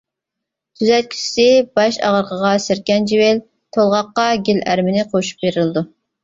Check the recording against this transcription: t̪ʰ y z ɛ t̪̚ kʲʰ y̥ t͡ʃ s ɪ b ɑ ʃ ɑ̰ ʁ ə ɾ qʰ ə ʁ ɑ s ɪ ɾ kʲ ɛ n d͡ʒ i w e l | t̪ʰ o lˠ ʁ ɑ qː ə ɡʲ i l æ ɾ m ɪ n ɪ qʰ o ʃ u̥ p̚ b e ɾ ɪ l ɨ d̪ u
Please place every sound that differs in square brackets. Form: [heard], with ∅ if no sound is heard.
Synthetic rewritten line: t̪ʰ y z ɛ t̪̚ kʲʰ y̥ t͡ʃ s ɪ b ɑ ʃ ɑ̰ ʁ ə ɾ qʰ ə ʁ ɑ s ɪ ɾ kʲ ɛ n d͡ʒ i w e l | t̪ʰ o lˠ ʁ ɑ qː [ɑ] ɡʲ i l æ ɾ m ɪ n ɪ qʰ o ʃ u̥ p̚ b e ɾ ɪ l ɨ d̪ u